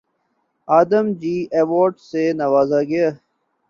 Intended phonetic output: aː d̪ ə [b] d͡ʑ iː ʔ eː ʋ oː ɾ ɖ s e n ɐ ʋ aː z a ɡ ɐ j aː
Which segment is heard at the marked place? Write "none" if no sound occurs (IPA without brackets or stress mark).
m